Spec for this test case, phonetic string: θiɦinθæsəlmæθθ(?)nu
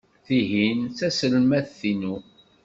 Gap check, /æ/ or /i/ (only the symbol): i